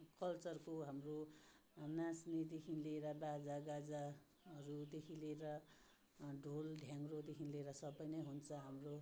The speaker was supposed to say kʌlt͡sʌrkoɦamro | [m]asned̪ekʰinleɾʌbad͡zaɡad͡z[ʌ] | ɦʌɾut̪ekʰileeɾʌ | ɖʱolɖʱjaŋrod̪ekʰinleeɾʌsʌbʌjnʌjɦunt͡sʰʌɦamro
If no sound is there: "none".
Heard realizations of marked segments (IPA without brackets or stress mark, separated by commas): n, a